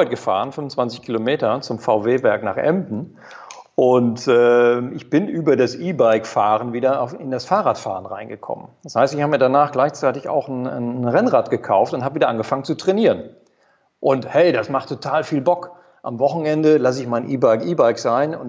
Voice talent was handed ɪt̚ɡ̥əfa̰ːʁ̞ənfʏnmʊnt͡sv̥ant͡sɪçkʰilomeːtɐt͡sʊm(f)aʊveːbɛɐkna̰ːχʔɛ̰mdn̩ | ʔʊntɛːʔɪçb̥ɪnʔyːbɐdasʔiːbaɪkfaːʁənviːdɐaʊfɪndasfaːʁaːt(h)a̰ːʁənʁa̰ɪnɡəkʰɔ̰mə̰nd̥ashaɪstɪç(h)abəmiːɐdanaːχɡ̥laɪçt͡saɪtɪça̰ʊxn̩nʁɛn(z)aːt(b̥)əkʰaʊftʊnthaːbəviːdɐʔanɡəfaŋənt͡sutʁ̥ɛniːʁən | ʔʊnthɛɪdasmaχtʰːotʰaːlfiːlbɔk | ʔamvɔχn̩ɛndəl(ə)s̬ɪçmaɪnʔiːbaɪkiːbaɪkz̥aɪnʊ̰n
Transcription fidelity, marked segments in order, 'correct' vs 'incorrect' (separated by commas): correct, incorrect, correct, incorrect, incorrect, incorrect